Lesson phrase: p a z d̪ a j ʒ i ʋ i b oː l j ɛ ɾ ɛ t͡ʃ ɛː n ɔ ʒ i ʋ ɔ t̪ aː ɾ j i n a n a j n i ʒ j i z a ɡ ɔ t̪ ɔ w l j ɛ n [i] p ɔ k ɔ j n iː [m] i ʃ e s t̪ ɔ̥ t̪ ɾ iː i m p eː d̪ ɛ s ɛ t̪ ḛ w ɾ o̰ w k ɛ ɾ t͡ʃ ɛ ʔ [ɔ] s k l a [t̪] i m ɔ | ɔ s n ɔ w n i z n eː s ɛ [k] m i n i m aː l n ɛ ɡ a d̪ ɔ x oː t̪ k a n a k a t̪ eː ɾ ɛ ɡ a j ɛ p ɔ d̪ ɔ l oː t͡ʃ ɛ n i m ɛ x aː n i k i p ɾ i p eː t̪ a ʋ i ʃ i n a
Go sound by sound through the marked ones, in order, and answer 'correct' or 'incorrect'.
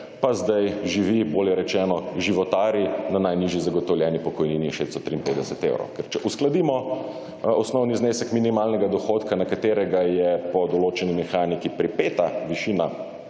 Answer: correct, incorrect, incorrect, incorrect, correct

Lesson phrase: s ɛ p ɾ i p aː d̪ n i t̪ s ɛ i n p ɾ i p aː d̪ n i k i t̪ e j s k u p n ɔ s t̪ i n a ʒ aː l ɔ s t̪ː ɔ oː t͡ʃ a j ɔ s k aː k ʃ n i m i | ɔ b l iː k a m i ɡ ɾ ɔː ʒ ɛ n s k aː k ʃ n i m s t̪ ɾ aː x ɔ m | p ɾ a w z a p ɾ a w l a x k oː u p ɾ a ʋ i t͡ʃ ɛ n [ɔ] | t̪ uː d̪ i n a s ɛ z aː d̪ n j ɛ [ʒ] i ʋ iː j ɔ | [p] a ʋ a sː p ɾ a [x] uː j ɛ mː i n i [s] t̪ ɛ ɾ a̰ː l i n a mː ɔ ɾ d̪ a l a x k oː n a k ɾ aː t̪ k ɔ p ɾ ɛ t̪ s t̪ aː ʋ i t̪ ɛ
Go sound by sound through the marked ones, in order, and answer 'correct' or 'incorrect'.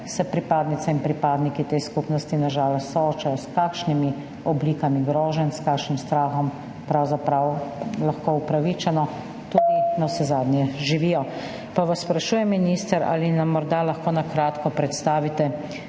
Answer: correct, correct, correct, incorrect, correct

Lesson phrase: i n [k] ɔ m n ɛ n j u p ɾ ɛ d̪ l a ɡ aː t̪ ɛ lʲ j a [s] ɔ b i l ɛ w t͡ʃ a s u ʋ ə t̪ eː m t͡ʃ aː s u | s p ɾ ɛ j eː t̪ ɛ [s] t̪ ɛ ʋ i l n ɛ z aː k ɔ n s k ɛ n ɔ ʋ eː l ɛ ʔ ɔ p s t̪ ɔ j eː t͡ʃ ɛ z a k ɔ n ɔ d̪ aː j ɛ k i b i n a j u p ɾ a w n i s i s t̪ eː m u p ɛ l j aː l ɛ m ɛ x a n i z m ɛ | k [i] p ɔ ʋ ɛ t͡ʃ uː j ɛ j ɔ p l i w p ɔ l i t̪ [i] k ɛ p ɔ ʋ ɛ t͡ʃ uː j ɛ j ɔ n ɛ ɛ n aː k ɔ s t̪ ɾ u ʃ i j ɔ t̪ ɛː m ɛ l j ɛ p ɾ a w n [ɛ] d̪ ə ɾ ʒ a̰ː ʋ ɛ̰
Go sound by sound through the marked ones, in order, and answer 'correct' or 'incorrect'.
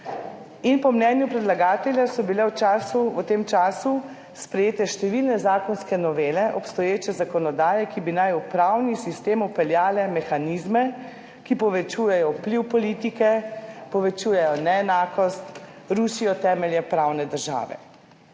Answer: incorrect, correct, incorrect, correct, correct, correct

